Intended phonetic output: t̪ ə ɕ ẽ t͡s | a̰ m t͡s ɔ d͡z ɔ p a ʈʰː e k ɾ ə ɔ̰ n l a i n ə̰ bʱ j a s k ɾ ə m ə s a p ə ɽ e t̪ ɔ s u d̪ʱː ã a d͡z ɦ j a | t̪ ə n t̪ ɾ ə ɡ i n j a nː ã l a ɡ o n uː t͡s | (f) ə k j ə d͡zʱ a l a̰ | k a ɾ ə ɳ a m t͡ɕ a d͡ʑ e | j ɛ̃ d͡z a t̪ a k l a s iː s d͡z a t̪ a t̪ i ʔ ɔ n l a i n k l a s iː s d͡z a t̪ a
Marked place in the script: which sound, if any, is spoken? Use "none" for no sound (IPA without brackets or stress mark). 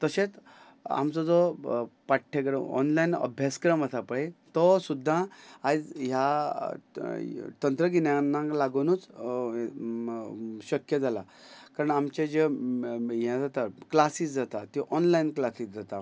ɕ